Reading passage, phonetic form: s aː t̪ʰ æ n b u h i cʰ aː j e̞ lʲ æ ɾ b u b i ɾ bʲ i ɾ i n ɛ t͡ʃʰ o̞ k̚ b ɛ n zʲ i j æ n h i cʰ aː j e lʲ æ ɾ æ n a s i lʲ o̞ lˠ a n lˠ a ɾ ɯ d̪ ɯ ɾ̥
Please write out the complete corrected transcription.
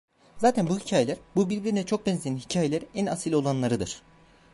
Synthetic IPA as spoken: z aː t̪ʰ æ n b u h i cʰ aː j e̞ lʲ æ ɾ b u b i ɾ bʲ i ɾ i n ɛ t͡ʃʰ o̞ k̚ b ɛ n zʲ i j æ n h i cʰ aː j e lʲ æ ɾ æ n a s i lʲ o̞ lˠ a n lˠ a ɾ ɯ d̪ ɯ ɾ̥